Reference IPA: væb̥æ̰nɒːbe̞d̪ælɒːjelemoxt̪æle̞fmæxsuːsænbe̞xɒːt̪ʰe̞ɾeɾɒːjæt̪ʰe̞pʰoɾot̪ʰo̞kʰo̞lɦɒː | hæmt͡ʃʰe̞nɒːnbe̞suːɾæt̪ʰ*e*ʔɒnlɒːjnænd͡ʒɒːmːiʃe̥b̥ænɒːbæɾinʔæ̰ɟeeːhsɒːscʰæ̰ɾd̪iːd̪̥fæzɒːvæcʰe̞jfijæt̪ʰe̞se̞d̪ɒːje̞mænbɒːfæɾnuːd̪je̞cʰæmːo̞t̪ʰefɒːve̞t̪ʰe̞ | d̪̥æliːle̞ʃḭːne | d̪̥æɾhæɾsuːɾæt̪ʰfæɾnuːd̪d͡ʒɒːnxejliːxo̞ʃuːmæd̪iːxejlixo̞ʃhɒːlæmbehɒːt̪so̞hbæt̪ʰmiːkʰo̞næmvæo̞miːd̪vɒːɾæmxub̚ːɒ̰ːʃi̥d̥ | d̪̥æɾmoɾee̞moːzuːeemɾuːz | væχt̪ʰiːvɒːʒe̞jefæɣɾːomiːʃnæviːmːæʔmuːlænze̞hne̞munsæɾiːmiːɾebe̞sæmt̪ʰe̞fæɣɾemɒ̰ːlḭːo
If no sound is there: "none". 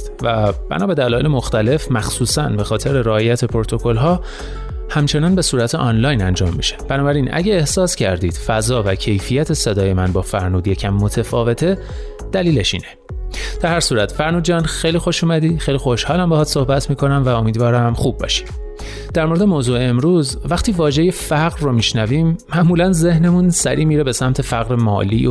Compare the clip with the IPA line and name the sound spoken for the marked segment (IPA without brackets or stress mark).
e